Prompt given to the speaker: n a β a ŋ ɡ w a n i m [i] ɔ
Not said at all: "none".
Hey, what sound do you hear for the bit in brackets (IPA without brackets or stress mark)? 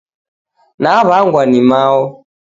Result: a